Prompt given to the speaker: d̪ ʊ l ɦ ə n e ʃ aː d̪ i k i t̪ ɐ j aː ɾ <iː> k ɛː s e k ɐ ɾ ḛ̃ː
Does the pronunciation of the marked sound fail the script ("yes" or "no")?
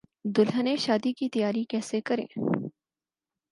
yes